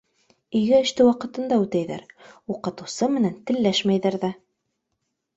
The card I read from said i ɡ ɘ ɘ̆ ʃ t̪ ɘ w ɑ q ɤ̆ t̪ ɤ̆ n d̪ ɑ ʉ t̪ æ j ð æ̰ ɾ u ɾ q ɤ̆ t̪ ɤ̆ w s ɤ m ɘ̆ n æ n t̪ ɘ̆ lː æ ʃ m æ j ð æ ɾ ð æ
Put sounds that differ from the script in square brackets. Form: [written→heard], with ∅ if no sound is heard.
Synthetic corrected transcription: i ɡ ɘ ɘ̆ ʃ t̪ ɘ w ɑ q ɤ̆ t̪ ɤ̆ n d̪ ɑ ʉ t̪ æ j ð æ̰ ɾ u [ɾ→∅] q ɤ̆ t̪ ɤ̆ w s ɤ m ɘ̆ n æ n t̪ ɘ̆ lː æ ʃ m æ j ð æ ɾ ð æ